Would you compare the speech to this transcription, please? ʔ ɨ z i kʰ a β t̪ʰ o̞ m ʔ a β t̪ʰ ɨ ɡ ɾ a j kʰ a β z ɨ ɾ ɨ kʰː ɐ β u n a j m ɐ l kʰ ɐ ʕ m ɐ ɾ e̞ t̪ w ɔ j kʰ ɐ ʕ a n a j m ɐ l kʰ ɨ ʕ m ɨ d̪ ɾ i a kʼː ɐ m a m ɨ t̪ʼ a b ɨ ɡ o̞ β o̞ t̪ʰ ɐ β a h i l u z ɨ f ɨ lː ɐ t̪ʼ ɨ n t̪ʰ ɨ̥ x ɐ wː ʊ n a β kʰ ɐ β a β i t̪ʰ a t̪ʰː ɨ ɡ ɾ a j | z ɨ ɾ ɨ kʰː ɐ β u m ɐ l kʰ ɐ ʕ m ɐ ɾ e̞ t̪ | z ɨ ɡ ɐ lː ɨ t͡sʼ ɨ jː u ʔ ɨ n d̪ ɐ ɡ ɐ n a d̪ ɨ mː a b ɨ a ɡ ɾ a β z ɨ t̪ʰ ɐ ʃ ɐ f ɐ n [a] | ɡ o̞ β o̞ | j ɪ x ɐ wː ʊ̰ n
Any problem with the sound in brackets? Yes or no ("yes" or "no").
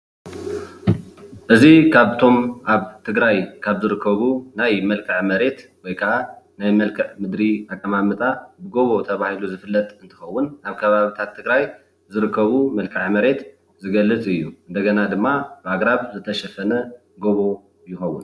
yes